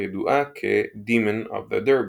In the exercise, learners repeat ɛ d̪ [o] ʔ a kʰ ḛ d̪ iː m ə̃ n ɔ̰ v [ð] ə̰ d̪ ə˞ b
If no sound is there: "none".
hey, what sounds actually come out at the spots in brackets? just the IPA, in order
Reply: u, ð

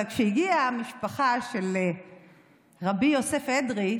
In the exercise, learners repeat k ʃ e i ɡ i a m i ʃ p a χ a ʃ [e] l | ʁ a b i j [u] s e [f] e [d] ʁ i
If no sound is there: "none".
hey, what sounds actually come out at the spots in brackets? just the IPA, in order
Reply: e, o, f, d

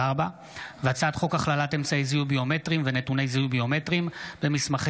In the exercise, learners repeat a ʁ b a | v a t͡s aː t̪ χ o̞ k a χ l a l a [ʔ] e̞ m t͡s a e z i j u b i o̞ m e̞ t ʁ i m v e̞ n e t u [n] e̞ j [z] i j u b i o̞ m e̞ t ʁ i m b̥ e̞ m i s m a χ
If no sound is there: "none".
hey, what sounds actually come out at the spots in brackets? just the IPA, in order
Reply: t, n, z

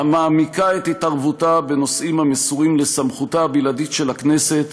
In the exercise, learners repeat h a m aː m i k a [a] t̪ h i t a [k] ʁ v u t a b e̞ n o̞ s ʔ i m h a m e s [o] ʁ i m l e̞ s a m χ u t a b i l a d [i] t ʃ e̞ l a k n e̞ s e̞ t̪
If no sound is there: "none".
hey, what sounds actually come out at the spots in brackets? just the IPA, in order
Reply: e, none, u, i

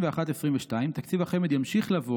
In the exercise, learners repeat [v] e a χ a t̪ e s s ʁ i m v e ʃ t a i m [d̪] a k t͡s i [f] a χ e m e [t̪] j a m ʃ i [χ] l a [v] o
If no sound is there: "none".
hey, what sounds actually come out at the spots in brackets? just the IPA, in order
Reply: v, t̪, v, d̪, χ, v

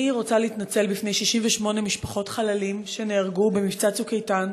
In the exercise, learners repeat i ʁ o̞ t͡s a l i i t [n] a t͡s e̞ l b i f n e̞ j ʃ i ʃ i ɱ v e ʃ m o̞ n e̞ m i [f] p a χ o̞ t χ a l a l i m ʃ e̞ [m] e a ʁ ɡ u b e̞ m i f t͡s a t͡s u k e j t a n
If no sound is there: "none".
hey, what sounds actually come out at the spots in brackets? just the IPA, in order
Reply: n, ʃ, n

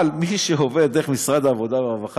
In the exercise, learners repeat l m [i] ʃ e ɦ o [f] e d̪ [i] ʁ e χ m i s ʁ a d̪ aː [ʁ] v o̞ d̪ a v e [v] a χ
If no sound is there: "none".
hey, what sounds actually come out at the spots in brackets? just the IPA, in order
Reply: i, v, e, none, v

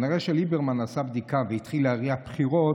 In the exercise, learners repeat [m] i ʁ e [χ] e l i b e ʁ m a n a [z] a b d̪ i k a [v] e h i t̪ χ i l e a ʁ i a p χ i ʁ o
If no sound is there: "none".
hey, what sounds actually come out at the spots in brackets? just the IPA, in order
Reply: n, ʃ, s, v

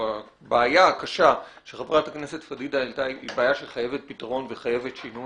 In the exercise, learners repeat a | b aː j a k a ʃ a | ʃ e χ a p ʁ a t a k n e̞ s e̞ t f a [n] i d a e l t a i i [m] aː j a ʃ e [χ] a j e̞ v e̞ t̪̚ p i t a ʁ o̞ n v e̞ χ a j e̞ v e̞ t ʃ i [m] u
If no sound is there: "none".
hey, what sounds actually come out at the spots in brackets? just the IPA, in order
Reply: d, b, χ, n

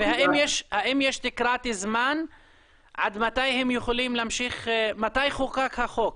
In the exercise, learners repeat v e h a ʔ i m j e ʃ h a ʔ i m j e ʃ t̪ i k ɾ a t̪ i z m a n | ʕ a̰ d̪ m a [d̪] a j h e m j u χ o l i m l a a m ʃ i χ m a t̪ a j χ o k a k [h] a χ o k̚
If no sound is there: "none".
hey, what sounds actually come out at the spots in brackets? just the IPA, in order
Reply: t̪, h

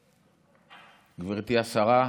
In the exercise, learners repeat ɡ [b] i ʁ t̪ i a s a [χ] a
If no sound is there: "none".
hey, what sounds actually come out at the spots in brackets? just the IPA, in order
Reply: v, ʁ

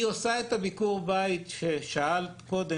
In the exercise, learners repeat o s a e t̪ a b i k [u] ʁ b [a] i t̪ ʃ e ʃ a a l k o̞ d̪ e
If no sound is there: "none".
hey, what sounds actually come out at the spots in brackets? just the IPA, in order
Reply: u, a

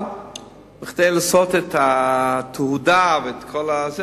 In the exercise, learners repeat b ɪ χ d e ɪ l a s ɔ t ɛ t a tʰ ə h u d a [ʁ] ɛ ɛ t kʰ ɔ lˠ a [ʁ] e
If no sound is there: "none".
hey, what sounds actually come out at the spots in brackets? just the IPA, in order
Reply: v, z

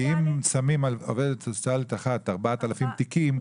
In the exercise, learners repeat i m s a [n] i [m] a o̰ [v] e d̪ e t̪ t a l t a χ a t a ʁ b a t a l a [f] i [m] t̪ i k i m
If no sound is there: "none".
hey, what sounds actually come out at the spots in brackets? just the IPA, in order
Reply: m, m, v, f, m

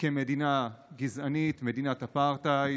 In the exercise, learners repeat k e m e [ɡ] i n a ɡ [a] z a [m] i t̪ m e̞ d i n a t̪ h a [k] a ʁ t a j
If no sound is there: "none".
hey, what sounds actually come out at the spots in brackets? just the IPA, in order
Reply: d, i, n, p

